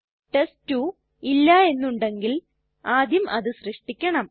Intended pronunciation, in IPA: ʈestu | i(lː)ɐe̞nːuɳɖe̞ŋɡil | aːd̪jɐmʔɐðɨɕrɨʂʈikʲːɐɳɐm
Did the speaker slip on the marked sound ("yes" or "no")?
no